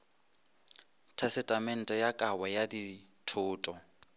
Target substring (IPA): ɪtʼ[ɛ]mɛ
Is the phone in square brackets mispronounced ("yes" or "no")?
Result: yes